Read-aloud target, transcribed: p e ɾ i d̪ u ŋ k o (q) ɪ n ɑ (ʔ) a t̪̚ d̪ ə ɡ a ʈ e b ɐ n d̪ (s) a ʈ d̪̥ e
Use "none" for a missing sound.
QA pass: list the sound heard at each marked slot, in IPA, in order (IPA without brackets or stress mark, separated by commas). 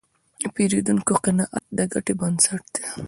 q, ʔ, s